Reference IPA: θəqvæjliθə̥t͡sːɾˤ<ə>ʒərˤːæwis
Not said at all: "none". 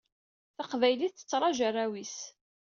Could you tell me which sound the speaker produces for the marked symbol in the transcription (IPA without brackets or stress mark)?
ɑ